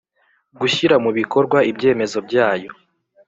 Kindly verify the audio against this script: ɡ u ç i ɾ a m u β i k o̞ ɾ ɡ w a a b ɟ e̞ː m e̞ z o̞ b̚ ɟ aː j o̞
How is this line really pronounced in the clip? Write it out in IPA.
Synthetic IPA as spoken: ɡ u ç i ɾ a m u β i k o̞ ɾ ɡ w a i b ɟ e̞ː m e̞ z o̞ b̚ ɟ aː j o̞